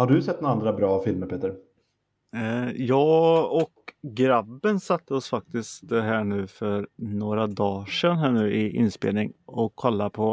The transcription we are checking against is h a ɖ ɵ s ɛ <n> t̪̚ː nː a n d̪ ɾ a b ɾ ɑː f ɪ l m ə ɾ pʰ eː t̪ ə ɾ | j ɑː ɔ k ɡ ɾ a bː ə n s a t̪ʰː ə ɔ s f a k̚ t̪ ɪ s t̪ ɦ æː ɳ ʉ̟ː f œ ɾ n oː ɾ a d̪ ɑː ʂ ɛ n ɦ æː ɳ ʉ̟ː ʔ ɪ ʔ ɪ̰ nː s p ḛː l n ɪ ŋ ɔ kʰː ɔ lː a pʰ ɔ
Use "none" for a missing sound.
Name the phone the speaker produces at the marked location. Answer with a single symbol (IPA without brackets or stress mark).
none